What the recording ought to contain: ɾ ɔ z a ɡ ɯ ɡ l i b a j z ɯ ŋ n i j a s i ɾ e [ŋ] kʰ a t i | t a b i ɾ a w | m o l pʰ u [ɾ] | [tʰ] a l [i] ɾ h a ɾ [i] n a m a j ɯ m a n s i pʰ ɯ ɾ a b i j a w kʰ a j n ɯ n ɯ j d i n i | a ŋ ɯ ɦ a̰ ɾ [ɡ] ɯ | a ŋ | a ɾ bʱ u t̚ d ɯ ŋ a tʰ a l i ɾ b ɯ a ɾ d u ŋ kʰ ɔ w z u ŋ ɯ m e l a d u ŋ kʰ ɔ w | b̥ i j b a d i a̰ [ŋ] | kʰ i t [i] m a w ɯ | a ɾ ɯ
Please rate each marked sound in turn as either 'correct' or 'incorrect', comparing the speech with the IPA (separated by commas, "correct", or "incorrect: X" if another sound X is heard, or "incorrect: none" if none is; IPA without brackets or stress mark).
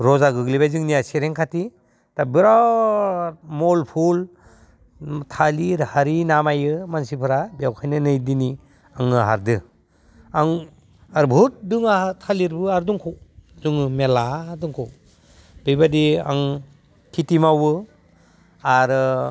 correct, incorrect: l, correct, correct, correct, incorrect: d, correct, correct